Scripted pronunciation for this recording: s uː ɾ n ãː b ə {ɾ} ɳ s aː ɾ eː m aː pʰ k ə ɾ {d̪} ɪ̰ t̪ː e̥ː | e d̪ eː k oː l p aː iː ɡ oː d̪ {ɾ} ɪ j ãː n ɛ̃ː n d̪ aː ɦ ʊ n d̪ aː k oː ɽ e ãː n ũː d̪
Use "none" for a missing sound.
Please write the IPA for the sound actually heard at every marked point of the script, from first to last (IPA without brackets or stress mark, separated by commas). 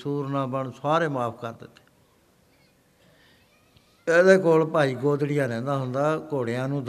none, d̪, ɽ